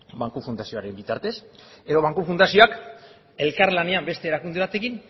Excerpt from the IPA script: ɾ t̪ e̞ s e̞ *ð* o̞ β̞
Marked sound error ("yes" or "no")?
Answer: no